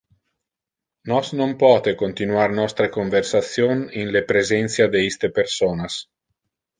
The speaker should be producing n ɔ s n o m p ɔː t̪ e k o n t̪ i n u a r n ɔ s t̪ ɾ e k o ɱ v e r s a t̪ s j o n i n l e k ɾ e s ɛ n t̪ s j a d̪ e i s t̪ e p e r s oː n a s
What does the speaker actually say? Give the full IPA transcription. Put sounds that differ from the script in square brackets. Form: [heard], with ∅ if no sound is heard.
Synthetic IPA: n ɔ s n o m p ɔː t̪ e k o n t̪ i n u a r n ɔ s t̪ ɾ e k o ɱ v e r s a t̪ s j o n i n l e [p] ɾ e [z] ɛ n t̪ s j a d̪ e i s t̪ e p e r s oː n a s